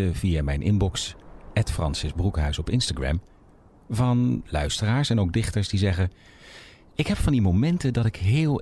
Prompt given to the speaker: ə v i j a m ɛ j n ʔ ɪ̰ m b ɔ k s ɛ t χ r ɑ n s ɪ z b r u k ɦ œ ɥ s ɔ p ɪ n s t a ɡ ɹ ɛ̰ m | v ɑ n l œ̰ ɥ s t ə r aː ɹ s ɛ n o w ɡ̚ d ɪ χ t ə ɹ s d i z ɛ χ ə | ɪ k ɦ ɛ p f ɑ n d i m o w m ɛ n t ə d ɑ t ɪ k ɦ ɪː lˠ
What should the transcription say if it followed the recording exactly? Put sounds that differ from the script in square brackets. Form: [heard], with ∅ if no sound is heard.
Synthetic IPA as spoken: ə v i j a m ɛ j n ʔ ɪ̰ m b ɔ k s ɛ t [f] r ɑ n s ɪ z b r u k ɦ œ ɥ s ɔ p ɪ n s t a ɡ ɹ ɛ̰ m | v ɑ n l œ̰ ɥ s t ə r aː ɹ s ɛ n o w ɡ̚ d ɪ χ t ə ɹ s d i z ɛ χ ə | ɪ k ɦ ɛ p f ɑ n d i m o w m ɛ n t ə d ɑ t ɪ k ɦ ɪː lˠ